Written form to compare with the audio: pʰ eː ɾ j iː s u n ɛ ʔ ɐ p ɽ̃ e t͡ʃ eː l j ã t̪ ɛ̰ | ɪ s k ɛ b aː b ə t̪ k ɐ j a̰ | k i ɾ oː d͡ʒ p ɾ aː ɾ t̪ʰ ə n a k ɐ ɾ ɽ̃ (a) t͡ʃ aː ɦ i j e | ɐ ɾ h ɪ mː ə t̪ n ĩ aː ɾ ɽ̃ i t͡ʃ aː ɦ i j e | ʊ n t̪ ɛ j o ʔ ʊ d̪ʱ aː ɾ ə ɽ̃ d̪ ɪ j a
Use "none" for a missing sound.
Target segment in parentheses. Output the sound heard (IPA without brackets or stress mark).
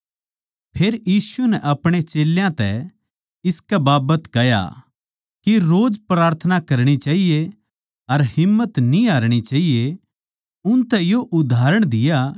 i